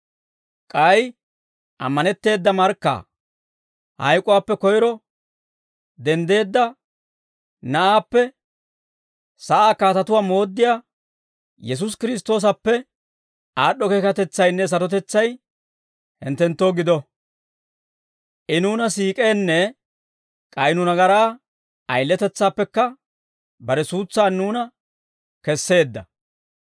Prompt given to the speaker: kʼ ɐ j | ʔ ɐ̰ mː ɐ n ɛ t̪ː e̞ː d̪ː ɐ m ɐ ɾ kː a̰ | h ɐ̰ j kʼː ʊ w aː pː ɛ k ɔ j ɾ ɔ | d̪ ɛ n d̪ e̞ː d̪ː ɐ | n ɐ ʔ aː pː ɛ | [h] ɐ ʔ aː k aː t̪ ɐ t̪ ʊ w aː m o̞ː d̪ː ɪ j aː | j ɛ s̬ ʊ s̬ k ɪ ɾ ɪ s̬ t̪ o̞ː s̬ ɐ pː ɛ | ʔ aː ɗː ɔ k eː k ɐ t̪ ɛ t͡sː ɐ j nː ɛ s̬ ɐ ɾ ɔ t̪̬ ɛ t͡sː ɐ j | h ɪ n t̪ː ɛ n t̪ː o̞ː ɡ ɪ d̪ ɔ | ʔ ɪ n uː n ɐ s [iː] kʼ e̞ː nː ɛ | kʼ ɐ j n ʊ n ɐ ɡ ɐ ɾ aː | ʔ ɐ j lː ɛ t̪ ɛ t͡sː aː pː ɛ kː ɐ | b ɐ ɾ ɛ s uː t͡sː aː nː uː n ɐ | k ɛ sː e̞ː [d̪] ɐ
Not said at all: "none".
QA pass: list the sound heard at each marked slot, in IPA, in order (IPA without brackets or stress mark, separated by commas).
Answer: s, iː, d̪ː